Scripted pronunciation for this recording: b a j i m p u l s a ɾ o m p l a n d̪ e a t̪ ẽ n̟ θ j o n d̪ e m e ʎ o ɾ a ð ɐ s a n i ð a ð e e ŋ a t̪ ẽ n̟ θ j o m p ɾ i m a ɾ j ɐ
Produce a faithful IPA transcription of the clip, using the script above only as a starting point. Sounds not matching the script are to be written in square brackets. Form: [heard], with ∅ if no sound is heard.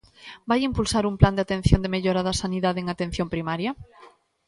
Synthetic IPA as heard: b a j i m p u l s a ɾ [u] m p l a n d̪ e a t̪ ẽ n̟ θ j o n d̪ e m e ʎ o ɾ a ð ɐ s a n i ð a ð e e ŋ a t̪ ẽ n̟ θ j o m p ɾ i m a ɾ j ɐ